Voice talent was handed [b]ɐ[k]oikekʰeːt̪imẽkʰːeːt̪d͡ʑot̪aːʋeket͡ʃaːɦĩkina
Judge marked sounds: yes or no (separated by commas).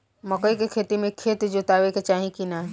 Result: no, yes